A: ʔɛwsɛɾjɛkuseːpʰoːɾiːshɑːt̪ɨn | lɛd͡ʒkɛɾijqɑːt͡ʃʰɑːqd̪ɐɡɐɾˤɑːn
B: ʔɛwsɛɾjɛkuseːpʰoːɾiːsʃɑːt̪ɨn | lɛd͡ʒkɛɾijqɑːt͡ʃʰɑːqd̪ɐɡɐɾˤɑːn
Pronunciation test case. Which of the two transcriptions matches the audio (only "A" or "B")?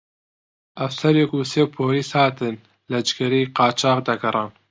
A